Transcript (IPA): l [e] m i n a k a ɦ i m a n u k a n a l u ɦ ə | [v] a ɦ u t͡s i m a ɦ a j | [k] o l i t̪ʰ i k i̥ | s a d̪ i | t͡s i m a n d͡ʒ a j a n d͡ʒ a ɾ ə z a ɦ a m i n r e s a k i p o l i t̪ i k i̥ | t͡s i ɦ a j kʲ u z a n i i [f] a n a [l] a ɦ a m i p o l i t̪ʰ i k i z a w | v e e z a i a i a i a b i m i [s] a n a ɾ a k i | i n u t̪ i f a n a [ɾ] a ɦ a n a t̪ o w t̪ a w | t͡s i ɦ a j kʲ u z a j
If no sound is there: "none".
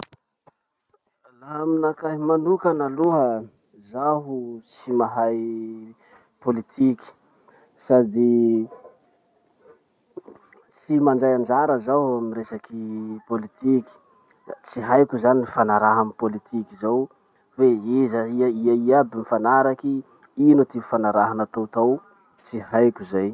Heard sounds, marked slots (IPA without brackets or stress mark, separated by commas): a, z, p, f, ɾ, f, ɾ